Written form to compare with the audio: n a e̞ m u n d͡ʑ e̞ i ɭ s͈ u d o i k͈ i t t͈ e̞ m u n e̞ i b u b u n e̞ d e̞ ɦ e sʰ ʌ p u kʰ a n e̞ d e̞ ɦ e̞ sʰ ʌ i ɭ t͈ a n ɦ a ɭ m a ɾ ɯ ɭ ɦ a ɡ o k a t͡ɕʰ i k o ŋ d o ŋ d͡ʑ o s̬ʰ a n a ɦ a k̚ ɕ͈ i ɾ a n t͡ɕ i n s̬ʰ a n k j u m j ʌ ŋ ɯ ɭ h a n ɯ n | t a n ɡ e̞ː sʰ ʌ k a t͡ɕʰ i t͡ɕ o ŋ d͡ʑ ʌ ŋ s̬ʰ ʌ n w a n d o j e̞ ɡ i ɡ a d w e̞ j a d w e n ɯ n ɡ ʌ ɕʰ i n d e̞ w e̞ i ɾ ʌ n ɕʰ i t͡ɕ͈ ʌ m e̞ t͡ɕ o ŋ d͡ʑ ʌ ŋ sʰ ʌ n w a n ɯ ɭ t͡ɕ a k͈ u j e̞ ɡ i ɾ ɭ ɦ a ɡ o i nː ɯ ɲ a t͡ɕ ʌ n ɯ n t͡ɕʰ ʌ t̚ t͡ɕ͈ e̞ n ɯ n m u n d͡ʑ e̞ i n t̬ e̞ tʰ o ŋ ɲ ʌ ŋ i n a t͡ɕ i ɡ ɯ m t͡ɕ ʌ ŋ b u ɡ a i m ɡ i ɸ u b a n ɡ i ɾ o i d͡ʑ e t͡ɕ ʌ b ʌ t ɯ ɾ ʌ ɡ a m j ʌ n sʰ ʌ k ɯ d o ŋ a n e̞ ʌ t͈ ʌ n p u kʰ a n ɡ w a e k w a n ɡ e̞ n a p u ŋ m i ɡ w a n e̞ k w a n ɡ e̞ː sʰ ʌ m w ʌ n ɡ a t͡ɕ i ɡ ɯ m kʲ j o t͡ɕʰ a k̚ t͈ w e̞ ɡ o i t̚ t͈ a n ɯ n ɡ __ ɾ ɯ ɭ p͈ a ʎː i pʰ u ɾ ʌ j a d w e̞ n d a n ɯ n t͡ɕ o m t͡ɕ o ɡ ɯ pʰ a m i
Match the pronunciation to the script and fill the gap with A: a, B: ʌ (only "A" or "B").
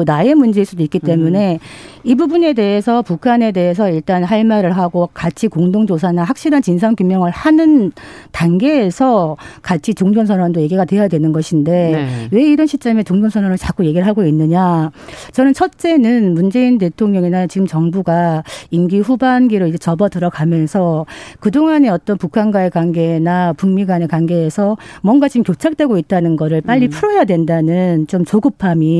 B